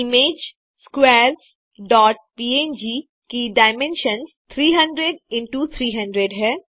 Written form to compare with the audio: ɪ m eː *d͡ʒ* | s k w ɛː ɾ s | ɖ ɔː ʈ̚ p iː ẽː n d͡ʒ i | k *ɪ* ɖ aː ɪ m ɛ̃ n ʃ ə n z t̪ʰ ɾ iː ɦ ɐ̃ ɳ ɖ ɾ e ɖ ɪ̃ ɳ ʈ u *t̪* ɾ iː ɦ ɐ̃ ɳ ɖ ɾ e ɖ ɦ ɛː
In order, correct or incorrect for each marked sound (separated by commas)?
correct, incorrect, incorrect